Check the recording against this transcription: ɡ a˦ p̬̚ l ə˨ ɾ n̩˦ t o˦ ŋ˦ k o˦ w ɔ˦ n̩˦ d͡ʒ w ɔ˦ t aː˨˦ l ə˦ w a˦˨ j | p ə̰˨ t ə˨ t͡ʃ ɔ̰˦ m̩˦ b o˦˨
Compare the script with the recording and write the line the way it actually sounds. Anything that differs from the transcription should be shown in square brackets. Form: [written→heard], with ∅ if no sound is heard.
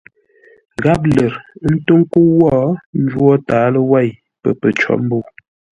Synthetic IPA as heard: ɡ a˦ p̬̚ l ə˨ ɾ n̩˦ t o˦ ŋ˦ k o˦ w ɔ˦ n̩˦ d͡ʒ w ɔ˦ t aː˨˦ l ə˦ w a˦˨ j | p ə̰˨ [t→p] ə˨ t͡ʃ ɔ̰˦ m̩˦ b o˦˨